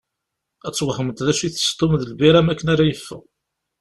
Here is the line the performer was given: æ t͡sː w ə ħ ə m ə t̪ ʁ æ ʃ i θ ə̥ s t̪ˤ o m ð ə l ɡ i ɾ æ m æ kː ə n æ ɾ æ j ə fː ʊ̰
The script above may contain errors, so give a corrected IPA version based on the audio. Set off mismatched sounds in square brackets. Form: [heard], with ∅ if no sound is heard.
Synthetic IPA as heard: æ t͡sː w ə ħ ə m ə t̪ [ð] æ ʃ i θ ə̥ s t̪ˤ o m ð ə l [b] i ɾ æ m æ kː ə n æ ɾ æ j ə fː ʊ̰